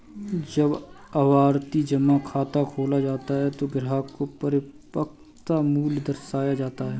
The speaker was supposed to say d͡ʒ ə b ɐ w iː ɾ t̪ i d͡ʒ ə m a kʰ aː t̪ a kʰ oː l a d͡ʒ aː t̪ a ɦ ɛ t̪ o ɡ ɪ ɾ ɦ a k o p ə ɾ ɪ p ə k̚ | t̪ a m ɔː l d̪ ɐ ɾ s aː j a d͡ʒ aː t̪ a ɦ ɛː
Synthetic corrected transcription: d͡ʒ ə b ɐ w aː ɾ t̪ i d͡ʒ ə m a kʰ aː t̪ a kʰ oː l a d͡ʒ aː t̪ a ɦ ɛ t̪ o ɡ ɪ ɾ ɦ a k o p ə ɾ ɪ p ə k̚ | t̪ a m uː l d̪ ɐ ɾ s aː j a d͡ʒ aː t̪ a ɦ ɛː

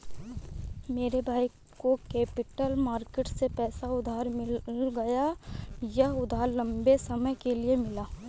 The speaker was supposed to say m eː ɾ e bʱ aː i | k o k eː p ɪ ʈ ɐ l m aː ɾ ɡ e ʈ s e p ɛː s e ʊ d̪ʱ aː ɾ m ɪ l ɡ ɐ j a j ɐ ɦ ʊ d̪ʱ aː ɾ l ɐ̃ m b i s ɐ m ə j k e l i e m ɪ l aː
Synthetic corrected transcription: m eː ɾ e bʱ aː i | k o k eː p ɪ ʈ ə l m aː ɾ k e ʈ s e p ɛː s a ʊ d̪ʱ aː ɾ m ɪ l ɡ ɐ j a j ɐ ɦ ʊ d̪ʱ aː ɾ l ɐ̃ m b e s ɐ m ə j k e l i e m ɪ l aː

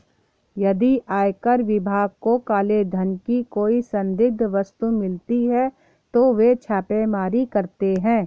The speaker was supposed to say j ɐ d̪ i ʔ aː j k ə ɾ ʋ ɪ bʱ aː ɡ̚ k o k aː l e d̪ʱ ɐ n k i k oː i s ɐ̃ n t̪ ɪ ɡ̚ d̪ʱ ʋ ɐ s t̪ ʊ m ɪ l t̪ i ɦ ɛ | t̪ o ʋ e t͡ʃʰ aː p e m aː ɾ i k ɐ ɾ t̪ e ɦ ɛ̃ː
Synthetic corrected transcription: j ɐ d̪ i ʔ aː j k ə ɾ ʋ ɪ bʱ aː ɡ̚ k o k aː l e d̪ʱ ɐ n k i k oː i s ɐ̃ n d̪ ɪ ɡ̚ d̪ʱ ʋ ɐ s t̪ u m ɪ l t̪ i ɦ ɛ | t̪ o ʋ e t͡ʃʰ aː p e m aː ɾ i k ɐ ɾ t̪ e ɦ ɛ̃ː

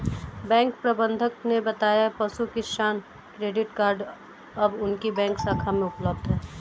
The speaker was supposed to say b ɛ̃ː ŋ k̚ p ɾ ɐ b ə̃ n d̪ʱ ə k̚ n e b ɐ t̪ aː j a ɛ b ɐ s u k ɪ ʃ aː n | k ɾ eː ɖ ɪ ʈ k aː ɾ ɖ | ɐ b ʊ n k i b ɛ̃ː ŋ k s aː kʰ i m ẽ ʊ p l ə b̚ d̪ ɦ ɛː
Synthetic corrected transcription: b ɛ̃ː ŋ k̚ p ɾ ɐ b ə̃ n d̪ʱ ə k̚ n e b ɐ t̪ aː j a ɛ p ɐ s u k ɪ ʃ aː n | k ɾ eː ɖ ɪ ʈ k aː ɾ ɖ | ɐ b ʊ n k i b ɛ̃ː ŋ k s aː kʰ a m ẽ ʊ p l ə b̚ d̪ ɦ ɛː

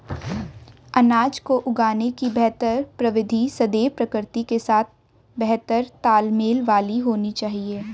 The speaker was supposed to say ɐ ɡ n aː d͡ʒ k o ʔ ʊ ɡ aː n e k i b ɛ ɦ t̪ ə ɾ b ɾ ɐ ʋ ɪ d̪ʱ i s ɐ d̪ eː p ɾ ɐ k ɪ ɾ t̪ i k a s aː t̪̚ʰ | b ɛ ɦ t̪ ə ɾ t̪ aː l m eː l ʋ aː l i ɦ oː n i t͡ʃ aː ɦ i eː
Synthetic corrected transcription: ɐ n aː d͡ʒ k o ʔ ʊ ɡ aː n e k i b ɛ ɦ t̪ ə ɾ p ɾ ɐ ʋ ɪ d̪ʱ i s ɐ d̪ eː p ɾ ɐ k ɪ ɾ t̪ i k e s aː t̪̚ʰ | b ɛ ɦ t̪ ə ɾ t̪ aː l m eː l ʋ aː l i ɦ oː n i t͡ʃ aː ɦ i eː

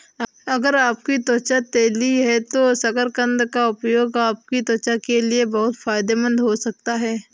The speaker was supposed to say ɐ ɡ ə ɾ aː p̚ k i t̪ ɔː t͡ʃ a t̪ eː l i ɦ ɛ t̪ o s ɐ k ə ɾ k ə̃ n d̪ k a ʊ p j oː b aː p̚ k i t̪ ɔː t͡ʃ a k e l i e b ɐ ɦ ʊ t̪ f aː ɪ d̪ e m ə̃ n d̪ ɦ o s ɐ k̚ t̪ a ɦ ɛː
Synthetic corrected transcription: ɐ ɡ ə ɾ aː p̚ k i t̪ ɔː t͡ʃ a t̪ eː l i ɦ ɛ t̪ o s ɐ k ə ɾ k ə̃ n d̪ k a ʊ p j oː ɡ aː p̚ k i t̪ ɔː t͡ʃ a k e l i e b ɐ ɦ ʊ t̪ f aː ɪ d̪ e m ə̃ n d̪ ɦ o s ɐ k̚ t̪ a ɦ ɛː

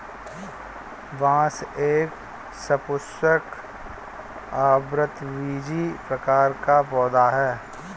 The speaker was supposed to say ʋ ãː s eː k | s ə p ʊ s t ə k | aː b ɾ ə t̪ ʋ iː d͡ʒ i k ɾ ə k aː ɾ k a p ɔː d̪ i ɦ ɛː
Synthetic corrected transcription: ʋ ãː s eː k | s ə p ʊ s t ə k | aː b ɾ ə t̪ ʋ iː d͡ʒ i p ɾ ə k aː ɾ k a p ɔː d̪ a ɦ ɛː

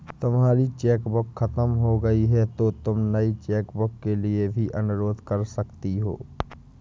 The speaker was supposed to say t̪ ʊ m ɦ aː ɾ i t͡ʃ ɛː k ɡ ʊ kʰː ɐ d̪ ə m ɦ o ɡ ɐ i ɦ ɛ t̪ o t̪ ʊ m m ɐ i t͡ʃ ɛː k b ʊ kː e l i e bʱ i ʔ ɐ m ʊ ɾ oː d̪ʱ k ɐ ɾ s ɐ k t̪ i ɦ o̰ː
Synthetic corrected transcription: t̪ ʊ m ɦ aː ɾ i t͡ʃ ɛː k b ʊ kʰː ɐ t̪ ə m ɦ o ɡ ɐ i ɦ ɛ t̪ o t̪ ʊ m n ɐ i t͡ʃ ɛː k b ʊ kː e l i e bʱ i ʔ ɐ n ʊ ɾ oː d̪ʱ k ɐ ɾ s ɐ k t̪ i ɦ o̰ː

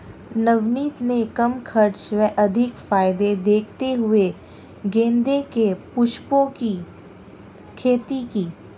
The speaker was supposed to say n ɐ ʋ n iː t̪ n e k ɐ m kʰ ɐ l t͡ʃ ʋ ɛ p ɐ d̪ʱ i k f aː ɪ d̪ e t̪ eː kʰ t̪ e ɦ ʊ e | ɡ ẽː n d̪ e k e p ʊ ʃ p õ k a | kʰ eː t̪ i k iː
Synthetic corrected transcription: n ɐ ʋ n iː t̪ n e k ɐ m kʰ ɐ ɾ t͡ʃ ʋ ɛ ʔ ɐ d̪ʱ ɪ k f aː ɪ d̪ e d̪ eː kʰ t̪ e ɦ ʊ e | ɡ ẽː n d̪ e k e p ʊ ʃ p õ k i | kʰ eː t̪ i k iː

